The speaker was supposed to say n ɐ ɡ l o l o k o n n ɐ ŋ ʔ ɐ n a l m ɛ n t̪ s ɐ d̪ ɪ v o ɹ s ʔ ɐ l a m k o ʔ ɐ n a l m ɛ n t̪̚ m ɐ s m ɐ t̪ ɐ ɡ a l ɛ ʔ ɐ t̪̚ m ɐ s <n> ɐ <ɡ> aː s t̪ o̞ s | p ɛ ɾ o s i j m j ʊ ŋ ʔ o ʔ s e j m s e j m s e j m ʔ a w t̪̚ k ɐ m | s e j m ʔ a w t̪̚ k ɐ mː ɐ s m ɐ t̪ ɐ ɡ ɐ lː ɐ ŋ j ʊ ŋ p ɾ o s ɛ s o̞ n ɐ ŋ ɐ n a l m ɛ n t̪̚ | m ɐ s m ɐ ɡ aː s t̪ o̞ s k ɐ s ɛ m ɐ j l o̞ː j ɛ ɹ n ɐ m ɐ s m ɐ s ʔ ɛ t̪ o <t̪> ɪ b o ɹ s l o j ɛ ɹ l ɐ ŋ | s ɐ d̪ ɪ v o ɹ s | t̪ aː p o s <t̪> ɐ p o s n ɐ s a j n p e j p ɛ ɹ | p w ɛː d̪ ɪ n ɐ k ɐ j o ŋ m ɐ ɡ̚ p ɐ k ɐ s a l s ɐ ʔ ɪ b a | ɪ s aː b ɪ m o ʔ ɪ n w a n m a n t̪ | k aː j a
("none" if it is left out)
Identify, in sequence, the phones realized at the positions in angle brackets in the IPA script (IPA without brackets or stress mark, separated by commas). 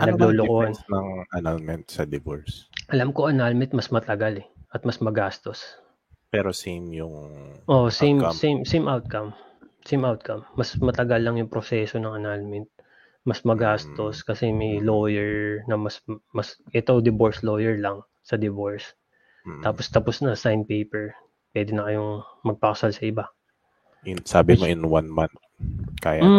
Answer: m, ɡ, d̪, t̪